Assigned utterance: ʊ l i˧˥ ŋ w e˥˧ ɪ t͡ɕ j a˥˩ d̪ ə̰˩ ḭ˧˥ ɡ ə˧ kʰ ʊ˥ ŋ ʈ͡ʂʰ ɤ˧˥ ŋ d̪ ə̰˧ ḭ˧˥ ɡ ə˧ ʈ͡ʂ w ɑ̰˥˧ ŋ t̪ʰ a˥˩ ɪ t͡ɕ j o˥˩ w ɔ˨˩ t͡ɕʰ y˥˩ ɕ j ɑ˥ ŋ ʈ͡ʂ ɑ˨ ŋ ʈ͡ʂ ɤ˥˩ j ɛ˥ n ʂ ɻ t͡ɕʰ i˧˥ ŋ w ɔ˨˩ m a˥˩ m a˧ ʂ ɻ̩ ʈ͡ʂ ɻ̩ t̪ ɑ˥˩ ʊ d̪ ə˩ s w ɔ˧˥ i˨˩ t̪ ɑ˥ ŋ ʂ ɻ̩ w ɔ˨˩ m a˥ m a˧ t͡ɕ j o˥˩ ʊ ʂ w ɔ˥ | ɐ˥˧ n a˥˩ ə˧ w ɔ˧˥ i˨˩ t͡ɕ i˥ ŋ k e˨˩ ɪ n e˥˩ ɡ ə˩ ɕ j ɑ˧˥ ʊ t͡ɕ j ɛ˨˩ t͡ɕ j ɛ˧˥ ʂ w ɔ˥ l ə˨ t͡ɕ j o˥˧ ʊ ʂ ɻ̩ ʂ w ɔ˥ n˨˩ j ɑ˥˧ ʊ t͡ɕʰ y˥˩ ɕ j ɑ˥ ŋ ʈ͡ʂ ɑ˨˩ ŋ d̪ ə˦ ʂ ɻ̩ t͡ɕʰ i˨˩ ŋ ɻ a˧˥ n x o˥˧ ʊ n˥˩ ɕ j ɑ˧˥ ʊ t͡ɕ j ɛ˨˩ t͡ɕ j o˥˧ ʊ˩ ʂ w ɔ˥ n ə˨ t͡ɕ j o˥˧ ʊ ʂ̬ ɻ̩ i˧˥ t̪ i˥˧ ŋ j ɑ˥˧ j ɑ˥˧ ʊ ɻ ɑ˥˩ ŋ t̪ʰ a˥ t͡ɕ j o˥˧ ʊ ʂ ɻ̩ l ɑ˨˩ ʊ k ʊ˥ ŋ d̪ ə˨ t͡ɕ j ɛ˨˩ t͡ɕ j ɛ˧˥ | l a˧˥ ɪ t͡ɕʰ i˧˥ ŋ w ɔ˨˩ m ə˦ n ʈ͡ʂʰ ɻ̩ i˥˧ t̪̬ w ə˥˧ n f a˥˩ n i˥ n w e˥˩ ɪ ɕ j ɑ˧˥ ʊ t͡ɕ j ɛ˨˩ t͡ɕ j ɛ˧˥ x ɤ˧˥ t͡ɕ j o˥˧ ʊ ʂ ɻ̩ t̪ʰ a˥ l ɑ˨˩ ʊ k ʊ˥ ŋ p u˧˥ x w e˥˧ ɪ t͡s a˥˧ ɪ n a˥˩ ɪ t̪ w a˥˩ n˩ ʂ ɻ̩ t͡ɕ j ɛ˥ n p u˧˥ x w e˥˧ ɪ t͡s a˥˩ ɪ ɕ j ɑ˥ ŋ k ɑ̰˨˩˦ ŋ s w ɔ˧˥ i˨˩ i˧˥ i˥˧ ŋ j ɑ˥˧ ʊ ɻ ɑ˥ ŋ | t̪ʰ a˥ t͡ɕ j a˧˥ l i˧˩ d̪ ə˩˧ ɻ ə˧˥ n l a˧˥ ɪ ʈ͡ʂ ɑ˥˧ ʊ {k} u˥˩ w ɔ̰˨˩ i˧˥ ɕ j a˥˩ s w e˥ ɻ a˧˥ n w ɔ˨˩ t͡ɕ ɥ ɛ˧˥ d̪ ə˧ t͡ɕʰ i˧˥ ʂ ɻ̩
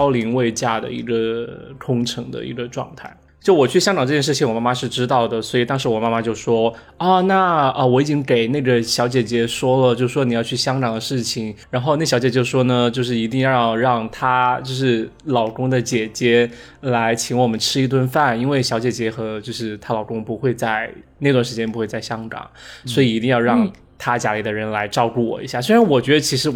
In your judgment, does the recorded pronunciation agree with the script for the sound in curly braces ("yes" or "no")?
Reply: yes